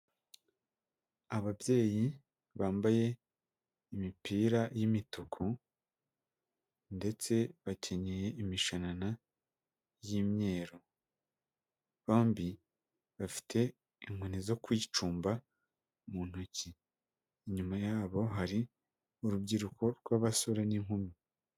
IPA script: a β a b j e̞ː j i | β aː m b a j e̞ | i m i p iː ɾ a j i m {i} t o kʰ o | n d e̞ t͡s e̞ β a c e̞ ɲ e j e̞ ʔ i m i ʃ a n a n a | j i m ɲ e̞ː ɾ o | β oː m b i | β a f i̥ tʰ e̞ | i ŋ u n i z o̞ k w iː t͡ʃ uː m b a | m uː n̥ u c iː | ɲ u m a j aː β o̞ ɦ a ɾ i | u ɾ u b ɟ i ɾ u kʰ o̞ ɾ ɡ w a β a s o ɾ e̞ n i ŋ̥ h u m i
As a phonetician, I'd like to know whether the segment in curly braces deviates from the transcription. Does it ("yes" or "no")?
no